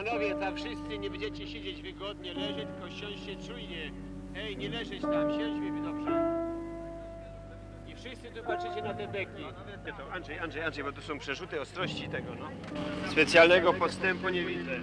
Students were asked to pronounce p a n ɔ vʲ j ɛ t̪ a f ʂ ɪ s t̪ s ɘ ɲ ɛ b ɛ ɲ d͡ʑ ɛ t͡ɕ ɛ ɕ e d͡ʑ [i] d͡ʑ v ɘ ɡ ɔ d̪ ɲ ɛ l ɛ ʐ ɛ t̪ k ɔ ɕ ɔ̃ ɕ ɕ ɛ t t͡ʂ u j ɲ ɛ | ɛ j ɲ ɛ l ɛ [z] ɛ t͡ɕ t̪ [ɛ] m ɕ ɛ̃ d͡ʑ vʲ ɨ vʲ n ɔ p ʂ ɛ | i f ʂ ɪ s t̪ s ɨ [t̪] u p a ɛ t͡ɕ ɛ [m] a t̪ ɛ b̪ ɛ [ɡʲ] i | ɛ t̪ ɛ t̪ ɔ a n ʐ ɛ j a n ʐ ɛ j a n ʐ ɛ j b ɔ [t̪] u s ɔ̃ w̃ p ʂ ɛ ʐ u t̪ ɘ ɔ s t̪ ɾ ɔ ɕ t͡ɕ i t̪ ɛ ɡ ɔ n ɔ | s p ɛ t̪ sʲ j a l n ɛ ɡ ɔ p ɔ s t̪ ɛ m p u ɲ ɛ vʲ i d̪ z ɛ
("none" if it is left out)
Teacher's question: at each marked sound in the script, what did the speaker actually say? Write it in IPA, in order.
e, ʐ, a, t̪, n, kʲ, t̪

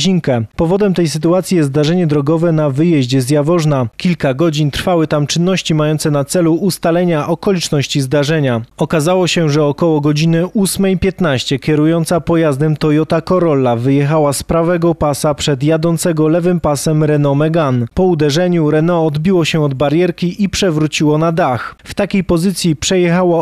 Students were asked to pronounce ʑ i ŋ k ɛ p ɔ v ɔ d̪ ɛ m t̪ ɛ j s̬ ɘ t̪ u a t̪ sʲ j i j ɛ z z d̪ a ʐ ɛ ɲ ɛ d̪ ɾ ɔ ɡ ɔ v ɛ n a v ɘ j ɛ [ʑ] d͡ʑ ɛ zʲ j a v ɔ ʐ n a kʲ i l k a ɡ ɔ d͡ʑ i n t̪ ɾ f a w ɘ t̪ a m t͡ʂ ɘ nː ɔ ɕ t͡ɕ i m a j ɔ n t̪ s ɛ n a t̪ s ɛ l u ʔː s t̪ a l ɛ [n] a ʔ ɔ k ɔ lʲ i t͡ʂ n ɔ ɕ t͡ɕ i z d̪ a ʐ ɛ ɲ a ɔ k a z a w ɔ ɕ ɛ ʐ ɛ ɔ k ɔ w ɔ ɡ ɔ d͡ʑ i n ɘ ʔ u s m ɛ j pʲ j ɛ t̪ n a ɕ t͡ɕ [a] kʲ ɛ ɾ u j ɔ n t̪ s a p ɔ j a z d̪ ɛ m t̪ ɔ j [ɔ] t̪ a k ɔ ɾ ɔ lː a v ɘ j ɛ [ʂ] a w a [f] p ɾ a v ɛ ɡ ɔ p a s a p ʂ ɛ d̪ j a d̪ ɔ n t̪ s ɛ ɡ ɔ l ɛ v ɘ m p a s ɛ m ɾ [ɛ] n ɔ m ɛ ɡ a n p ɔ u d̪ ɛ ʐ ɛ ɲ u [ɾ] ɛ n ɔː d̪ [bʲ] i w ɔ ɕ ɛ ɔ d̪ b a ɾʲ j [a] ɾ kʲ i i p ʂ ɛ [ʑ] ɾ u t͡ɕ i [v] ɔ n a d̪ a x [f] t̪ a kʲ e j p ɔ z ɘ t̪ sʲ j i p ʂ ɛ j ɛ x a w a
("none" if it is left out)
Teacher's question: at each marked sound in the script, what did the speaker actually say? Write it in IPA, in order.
ʑ, ɲ, ɛ, ɔ, x, s, ɛ, ɾ, bʲ, ɛ, v, w, f

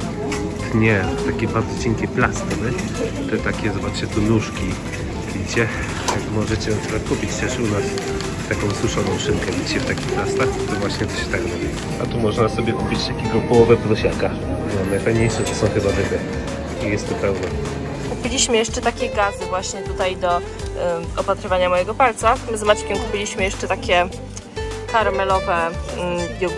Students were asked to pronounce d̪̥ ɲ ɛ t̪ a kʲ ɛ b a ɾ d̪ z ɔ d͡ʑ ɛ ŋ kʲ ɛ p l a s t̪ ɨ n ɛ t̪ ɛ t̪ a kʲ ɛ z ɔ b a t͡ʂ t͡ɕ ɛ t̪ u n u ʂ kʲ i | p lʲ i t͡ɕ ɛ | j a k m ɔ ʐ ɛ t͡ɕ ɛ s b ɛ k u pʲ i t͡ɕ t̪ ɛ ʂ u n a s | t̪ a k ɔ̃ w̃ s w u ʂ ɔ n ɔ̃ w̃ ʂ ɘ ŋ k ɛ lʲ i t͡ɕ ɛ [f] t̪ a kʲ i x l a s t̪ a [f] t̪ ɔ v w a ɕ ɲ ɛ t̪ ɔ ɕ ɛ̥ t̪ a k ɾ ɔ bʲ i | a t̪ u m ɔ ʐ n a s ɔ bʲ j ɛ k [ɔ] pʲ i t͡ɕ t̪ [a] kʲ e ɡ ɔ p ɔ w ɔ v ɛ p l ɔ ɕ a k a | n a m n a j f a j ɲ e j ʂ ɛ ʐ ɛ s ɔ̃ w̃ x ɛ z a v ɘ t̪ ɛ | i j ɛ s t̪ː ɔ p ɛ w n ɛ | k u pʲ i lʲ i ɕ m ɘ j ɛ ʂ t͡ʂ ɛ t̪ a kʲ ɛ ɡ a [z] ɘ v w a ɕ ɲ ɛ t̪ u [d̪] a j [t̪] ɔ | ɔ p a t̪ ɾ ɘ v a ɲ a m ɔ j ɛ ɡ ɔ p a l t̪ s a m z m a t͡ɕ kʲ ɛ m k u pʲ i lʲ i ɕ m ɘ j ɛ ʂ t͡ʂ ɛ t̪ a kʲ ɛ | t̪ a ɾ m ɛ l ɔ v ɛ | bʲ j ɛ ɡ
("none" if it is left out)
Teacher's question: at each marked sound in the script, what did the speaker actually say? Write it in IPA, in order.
f, x, u, a, z, t̪, d̪

